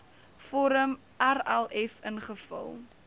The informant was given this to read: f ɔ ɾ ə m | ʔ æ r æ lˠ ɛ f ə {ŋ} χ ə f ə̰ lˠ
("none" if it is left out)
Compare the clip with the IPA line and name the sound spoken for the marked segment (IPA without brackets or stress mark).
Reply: n